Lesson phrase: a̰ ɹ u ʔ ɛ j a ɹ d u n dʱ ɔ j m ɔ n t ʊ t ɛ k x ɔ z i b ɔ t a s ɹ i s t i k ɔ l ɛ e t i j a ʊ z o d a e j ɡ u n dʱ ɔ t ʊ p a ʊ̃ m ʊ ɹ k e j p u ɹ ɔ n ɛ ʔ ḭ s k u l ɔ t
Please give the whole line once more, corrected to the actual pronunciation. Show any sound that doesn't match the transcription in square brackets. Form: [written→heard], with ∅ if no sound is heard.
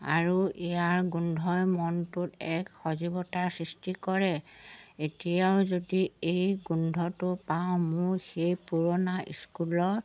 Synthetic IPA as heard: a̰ ɹ u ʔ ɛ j a ɹ [d→ɡ] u n dʱ ɔ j m ɔ n t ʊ t ɛ k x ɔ z i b ɔ t a s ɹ i s t i k ɔ [l→ɹ] ɛ e t i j a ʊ z o d [a→i] e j ɡ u n dʱ ɔ t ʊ p a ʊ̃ m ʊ ɹ [k→x] e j p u ɹ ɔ n [ɛ→a] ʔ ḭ s k u l ɔ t